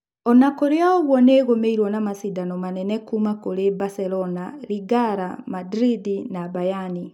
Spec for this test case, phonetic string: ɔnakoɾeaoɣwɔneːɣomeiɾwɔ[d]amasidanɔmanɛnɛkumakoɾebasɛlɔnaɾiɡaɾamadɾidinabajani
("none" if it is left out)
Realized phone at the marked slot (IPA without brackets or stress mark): n